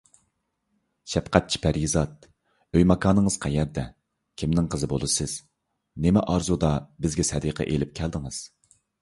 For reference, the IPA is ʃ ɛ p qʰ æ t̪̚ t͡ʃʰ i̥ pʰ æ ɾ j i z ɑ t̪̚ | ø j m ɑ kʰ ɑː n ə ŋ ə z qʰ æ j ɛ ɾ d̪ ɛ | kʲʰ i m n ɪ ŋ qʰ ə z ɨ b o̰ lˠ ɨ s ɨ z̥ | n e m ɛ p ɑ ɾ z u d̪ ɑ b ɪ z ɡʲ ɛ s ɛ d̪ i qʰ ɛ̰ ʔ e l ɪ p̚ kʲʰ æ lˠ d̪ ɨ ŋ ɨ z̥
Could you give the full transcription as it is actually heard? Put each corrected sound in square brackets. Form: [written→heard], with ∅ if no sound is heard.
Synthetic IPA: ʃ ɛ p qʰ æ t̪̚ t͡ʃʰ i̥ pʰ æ ɾ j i z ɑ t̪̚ | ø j m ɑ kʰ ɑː n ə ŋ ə z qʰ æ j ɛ ɾ d̪ ɛ | kʲʰ i m n ɪ ŋ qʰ ə z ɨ b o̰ lˠ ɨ s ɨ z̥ | n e m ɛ [p→ʔ] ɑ ɾ z u d̪ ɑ b ɪ z ɡʲ ɛ s ɛ d̪ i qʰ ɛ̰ ʔ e l ɪ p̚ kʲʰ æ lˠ d̪ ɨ ŋ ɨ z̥